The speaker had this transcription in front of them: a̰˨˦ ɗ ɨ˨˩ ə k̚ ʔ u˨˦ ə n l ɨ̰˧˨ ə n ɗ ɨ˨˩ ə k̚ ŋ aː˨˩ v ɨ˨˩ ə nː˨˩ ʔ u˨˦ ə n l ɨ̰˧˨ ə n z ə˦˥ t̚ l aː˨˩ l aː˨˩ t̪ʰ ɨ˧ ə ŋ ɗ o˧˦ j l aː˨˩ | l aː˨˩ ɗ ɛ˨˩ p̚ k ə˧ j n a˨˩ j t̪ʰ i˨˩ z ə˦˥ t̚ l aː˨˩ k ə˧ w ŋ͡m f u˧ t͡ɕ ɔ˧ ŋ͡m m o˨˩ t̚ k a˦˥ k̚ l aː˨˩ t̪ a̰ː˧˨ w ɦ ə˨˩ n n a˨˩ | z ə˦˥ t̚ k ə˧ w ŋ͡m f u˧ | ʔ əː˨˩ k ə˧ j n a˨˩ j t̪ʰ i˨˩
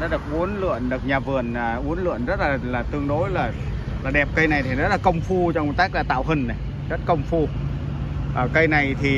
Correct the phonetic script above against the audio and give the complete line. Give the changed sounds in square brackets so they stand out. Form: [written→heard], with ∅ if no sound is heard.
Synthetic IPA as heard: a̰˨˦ ɗ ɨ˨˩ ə k̚ ʔ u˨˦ ə n l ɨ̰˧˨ ə n ɗ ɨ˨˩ ə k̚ [ŋ→ɲ] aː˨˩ v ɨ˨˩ ə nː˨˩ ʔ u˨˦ ə n l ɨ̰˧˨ ə n z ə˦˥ t̚ l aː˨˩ l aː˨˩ [t̪ʰ→t̪] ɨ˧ ə ŋ ɗ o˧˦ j l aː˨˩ | l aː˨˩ ɗ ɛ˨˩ p̚ k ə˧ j n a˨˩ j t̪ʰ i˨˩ z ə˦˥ t̚ l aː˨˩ k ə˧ w ŋ͡m f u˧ t͡ɕ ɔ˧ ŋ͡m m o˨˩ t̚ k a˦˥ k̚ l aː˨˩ t̪ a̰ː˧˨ w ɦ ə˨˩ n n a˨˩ | z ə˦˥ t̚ k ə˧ w ŋ͡m f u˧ | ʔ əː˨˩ k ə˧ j n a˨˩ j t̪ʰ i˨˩

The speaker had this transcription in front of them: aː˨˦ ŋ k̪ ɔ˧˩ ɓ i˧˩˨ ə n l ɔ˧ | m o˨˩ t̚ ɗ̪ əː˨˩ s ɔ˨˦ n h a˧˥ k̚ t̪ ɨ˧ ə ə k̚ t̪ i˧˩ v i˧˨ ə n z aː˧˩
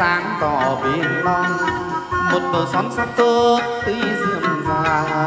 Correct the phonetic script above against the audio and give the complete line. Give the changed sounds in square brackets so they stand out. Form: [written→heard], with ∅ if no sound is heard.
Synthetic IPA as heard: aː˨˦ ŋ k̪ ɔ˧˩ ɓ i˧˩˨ ə n l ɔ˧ | m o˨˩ t̚ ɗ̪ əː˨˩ s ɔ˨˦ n [h→s] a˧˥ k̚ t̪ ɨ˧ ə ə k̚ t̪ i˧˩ [v→z] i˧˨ ə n z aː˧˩

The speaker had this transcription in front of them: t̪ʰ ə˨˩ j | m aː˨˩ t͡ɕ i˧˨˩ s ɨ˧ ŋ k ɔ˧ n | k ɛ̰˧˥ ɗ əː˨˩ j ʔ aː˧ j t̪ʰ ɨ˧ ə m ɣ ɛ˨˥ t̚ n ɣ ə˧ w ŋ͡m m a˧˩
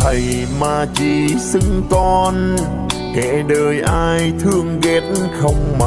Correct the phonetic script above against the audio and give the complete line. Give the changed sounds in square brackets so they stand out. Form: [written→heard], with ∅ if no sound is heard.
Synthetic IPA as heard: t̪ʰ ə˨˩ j | m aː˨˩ t͡ɕ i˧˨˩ s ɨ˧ ŋ k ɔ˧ n | k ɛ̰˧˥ ɗ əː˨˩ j ʔ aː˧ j t̪ʰ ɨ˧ ə [m→ŋ] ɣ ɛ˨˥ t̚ n [ɣ→x] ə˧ w ŋ͡m m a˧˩

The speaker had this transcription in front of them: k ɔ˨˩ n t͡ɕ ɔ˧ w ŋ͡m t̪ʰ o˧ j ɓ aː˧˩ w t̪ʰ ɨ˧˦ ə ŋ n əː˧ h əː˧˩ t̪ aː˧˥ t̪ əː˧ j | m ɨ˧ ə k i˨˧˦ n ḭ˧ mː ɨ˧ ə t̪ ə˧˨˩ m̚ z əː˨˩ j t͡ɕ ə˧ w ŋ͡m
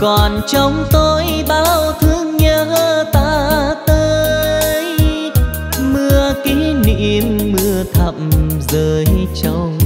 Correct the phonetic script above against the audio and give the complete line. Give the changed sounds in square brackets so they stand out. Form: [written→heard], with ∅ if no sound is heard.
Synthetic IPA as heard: k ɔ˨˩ n t͡ɕ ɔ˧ w ŋ͡m [t̪ʰ→t̪] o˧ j ɓ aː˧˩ w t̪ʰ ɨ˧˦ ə ŋ [n→ɲ] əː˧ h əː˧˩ t̪ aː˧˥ t̪ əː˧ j | m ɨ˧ ə k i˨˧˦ n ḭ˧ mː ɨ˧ ə [t̪→t̪ʰ] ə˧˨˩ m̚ z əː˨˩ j t͡ɕ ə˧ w ŋ͡m

